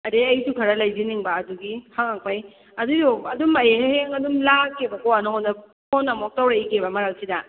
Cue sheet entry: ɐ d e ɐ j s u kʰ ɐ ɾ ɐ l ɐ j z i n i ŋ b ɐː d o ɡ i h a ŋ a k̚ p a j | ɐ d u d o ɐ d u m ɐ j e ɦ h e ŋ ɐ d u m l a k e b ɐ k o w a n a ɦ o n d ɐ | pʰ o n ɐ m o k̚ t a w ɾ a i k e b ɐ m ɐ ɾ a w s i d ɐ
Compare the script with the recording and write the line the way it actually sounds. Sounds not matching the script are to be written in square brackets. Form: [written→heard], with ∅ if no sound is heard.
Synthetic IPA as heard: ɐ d e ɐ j s u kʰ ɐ ɾ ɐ l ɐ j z i n i ŋ b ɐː d [o→u] ɡ i h a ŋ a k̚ p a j | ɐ d u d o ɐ d u m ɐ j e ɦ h e ŋ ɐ d u m l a k e b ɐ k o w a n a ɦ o n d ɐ | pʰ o n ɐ m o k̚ t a w ɾ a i k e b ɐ m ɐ ɾ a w s i d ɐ